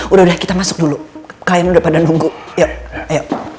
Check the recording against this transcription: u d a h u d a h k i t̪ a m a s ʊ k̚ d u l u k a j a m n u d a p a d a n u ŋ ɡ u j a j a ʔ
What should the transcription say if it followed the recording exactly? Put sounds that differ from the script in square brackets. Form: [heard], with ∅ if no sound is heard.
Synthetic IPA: u d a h u d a h k i t̪ a m a s ʊ k̚ d u l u k a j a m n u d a p a d a n u ŋ ɡ u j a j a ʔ